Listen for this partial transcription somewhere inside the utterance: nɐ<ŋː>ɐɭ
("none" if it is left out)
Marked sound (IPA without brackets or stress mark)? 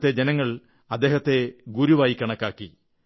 ŋː